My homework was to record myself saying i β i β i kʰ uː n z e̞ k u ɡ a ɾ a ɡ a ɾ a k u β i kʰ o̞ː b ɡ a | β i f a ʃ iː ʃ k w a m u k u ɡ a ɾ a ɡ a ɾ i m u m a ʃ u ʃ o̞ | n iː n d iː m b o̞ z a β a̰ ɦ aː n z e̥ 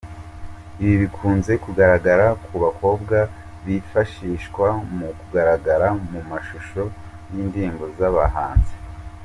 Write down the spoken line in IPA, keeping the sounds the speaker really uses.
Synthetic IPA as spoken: i β i β i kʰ uː n z e̞ k u ɡ a ɾ a ɡ a ɾ a k u β a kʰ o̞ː b ɡ a | β i f a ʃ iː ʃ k w a m u k u ɡ a ɾ a ɡ a ɾ a m u m a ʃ u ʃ o̞ | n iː n d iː m b o̞ z a β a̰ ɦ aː n z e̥